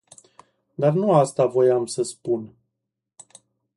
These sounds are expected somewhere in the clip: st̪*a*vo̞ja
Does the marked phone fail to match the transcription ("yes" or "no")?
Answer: no